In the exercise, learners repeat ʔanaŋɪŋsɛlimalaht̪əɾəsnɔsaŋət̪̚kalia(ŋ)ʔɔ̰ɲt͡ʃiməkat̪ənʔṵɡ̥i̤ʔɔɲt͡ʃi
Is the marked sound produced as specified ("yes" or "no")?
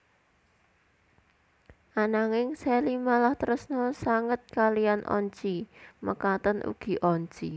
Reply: no